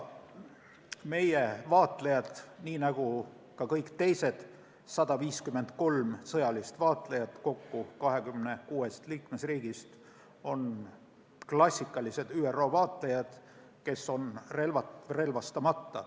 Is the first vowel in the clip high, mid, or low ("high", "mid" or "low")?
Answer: mid